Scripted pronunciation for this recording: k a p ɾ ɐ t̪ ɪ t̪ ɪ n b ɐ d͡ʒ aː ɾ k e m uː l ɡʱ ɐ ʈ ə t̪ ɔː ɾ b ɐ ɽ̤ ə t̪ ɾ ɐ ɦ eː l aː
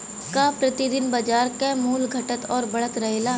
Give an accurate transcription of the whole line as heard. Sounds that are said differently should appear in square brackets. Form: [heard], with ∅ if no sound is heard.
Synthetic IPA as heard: k a p ɾ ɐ t̪ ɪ [d̪] ɪ n b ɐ d͡ʒ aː ɾ k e m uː l ɡʱ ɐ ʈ ə t̪ ɔː ɾ b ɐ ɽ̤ ə t̪ ɾ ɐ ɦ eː l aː